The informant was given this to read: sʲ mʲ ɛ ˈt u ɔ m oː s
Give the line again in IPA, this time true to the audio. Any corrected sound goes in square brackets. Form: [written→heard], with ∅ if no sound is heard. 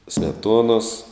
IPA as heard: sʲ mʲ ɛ ˈt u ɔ [m→n] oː s

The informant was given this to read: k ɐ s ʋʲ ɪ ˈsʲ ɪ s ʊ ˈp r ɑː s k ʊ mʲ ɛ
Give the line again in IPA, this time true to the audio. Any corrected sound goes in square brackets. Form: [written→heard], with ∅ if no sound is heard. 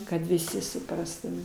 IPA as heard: k ɐ [s→t] ʋʲ ɪ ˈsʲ ɪ s ʊ ˈp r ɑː s [k→t] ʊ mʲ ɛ

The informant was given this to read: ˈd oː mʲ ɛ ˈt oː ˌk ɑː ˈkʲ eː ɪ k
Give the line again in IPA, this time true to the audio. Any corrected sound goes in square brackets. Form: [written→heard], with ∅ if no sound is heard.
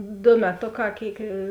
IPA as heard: ˈd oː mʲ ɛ ˈt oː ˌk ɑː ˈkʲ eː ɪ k

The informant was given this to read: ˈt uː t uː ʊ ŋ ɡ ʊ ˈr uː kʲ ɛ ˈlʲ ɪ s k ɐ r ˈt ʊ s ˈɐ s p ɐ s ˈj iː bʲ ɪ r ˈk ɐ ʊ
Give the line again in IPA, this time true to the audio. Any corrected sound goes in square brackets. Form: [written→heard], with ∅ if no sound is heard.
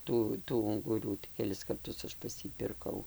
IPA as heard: ˈt uː t uː ʊ ŋ ɡ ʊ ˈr uː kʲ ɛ ˈlʲ ɪ s k ɐ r ˈt ʊ s ˈɐ [s→ʃ] p ɐ s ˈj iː [bʲ→pʲ] ɪ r ˈk ɐ ʊ

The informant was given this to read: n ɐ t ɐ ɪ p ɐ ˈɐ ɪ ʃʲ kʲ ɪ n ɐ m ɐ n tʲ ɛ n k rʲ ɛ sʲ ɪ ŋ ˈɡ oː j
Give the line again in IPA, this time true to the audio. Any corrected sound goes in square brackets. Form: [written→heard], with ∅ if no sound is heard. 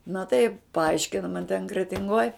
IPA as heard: n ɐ t ɐ ɪ p ɐ ˈɐ ɪ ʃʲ kʲ ɪ n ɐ m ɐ n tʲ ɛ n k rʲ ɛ [sʲ→tʲ] ɪ ŋ ˈɡ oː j

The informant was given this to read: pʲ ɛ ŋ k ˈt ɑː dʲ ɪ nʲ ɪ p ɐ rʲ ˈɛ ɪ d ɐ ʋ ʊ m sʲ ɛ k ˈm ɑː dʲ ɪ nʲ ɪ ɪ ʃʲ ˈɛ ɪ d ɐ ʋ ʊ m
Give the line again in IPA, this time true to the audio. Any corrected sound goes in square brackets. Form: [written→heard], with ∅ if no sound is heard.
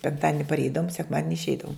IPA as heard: pʲ ɛ ŋ k ˈt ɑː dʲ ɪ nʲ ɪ p ɐ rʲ ˈɛ ɪ d ɐ ʋ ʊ m sʲ ɛ k ˈm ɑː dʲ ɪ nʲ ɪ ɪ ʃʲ ˈɛ ɪ d ɐ ʋ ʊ m

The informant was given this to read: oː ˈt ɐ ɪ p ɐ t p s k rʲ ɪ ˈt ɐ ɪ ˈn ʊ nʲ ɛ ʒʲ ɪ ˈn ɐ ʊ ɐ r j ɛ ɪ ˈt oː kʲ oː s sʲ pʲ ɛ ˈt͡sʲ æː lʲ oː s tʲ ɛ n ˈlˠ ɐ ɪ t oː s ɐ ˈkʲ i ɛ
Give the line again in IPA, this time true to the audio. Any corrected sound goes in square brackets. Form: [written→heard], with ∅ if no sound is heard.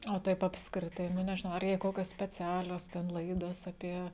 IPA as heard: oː ˈt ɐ ɪ p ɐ [t→∅] p s k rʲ ɪ ˈt ɐ ɪ ˈn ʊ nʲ ɛ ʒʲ ɪ ˈn ɐ ʊ ɐ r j ɛ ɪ [ˈt→ˈk] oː kʲ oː s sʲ pʲ ɛ ˈt͡sʲ æː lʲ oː s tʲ ɛ n ˈlˠ ɐ ɪ [t→d] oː s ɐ [ˈkʲ→ˈpʲ] i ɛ

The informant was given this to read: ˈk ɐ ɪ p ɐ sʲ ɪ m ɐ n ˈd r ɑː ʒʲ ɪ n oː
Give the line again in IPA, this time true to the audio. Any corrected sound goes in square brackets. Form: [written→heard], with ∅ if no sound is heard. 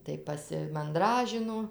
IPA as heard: [ˈk→ˈt] ɐ ɪ p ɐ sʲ ɪ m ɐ n ˈd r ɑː ʒʲ ɪ n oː

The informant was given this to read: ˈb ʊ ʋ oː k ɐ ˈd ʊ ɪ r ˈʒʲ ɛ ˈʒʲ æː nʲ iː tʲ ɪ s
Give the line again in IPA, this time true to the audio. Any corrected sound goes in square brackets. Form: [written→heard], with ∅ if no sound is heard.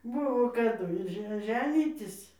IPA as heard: ˈb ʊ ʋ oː k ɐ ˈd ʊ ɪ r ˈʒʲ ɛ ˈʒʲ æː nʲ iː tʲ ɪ s

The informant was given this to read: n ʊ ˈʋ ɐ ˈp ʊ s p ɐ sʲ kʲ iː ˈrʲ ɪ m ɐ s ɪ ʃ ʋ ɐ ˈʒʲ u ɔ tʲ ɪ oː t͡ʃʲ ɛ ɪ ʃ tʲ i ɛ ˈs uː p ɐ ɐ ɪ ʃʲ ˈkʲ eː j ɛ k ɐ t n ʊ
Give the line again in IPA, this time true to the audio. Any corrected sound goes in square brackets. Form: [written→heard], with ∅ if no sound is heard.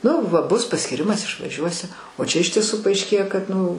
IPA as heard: n ʊ ˈʋ ɐ [ˈp→ˈb] ʊ s p ɐ sʲ kʲ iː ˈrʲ ɪ m ɐ s ɪ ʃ ʋ ɐ ˈʒʲ u ɔ [tʲ→sʲ] ɪ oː t͡ʃʲ ɛ ɪ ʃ tʲ i ɛ ˈs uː p ɐ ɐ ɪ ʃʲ ˈkʲ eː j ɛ k ɐ t n ʊ

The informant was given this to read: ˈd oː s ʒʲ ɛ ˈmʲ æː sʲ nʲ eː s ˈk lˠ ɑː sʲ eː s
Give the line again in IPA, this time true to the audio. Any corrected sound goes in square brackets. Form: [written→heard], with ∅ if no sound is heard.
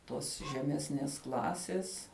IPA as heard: [ˈd→ˈt] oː s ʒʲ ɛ ˈmʲ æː sʲ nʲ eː s ˈk lˠ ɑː sʲ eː s

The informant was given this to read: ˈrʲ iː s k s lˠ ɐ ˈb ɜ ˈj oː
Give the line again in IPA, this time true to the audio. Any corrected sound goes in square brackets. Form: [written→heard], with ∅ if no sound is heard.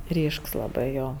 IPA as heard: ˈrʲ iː [s→ʃ] k s lˠ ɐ ˈb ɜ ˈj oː

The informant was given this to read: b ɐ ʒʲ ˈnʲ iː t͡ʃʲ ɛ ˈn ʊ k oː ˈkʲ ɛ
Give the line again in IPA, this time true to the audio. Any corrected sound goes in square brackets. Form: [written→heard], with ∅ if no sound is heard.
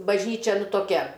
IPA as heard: b ɐ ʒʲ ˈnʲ iː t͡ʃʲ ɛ ˈn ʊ [k→t] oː ˈkʲ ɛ

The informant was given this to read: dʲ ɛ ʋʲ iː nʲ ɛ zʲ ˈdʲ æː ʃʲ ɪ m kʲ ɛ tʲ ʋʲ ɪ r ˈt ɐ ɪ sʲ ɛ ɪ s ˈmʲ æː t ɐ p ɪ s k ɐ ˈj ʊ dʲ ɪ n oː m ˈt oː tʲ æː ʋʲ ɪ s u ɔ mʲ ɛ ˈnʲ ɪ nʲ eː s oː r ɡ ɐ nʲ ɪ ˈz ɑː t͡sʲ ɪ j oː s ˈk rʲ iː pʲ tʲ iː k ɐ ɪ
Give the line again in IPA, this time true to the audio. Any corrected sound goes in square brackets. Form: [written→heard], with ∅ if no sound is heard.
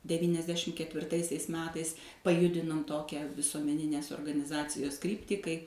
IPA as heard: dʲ ɛ ʋʲ iː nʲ ɛ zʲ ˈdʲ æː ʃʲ ɪ m kʲ ɛ tʲ ʋʲ ɪ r ˈt ɐ ɪ sʲ ɛ ɪ s ˈmʲ æː t ɐ [p→∅] ɪ s [k→p] ɐ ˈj ʊ dʲ ɪ n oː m ˈt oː [tʲ→kʲ] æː ʋʲ ɪ s u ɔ mʲ ɛ ˈnʲ ɪ nʲ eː s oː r ɡ ɐ nʲ ɪ ˈz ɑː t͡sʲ ɪ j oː s ˈk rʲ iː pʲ tʲ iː k ɐ ɪ

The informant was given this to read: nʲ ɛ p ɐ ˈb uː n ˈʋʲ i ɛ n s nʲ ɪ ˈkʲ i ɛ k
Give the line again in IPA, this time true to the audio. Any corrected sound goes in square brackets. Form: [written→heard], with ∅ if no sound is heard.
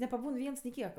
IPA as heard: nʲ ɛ p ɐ ˈb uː n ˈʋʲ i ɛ n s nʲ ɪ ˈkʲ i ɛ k

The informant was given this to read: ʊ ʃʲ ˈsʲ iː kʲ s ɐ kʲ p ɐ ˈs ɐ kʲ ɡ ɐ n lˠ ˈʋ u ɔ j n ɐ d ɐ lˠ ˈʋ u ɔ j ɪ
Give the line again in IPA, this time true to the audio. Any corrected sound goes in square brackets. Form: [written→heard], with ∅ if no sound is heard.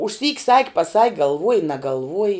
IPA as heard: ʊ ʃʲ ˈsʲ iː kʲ s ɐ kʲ p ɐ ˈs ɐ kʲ ɡ ɐ [n→∅] lˠ ˈʋ u ɔ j n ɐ [d→ɡ] ɐ lˠ ˈʋ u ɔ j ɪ

